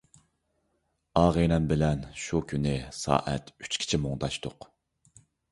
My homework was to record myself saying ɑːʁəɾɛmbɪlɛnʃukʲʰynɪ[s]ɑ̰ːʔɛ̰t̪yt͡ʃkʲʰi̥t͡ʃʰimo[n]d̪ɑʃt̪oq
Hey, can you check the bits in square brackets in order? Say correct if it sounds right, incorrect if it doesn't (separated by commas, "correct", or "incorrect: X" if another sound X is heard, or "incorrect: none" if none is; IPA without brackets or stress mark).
correct, incorrect: ŋ